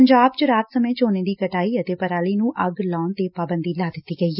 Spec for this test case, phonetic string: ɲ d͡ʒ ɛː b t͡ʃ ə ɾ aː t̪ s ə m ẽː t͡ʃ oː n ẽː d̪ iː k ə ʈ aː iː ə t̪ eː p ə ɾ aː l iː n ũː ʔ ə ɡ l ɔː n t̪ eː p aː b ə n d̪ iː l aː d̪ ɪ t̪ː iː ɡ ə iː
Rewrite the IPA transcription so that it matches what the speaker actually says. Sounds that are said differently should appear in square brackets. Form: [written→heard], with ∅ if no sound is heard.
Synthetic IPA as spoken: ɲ d͡ʒ [ɛː→aː] b t͡ʃ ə ɾ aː t̪ s ə m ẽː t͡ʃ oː n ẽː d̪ iː k ə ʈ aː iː ə t̪ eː p ə ɾ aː l iː n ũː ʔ ə ɡ l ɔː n t̪ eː p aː b ə n d̪ iː l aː d̪ ɪ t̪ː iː ɡ ə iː